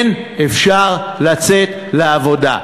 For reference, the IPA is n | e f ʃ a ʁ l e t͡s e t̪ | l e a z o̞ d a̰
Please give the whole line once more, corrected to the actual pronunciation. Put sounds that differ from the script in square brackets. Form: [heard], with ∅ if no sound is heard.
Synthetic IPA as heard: n | e f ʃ a ʁ l [a] t͡s e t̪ | l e a [v] o̞ d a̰